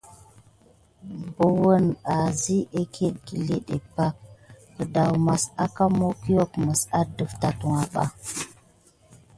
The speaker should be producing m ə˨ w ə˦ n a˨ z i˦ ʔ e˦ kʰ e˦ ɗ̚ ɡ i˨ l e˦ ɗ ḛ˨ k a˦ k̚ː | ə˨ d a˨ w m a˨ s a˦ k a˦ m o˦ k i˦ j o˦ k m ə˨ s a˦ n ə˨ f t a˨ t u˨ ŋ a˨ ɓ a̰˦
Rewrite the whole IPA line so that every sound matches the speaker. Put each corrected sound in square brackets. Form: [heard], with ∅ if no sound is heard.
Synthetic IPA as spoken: [b] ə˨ w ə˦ n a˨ z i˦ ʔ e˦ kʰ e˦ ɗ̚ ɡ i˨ l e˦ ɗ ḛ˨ [p] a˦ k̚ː | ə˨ d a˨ w m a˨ s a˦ k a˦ m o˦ k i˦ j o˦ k m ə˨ s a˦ [d] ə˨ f t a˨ t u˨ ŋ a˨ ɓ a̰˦